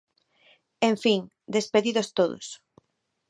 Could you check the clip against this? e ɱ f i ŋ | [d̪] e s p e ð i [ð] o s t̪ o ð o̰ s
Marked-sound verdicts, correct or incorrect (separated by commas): correct, correct